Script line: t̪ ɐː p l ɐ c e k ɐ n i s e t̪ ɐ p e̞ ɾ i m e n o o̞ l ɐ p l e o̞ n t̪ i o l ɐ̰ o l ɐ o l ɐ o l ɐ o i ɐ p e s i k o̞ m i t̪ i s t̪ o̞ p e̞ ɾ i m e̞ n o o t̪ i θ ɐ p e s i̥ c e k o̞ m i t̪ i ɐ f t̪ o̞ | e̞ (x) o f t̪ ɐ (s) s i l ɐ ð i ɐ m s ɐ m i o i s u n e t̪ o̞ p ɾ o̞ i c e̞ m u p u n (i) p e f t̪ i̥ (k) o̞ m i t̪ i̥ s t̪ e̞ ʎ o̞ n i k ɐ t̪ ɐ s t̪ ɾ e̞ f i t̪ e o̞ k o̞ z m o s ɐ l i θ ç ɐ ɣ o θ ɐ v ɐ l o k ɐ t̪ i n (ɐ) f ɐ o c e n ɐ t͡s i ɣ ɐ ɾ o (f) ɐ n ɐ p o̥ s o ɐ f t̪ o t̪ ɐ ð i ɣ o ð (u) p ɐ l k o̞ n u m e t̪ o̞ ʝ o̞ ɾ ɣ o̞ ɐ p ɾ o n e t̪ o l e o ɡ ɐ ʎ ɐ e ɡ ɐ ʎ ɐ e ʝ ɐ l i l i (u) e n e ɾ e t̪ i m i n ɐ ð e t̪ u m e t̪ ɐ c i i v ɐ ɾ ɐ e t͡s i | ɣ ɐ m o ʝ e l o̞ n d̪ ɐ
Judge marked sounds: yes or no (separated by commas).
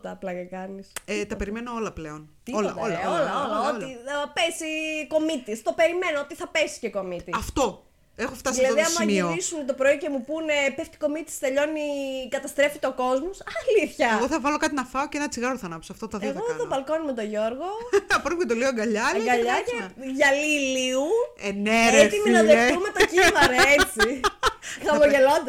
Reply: yes, yes, no, yes, yes, no, no, yes